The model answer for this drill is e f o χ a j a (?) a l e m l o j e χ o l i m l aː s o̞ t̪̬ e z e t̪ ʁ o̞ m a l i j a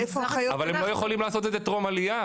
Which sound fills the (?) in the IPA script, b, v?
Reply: v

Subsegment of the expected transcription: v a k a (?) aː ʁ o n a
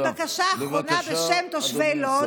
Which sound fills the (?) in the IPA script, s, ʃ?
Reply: ʃ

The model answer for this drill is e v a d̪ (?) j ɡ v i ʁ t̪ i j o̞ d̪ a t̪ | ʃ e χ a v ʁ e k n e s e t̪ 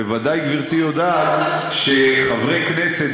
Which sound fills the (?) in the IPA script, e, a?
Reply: a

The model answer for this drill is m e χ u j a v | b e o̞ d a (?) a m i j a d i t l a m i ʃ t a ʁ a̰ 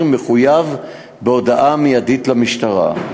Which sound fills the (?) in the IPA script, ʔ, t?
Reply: ʔ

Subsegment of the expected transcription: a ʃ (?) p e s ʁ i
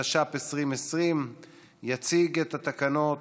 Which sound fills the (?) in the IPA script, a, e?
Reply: a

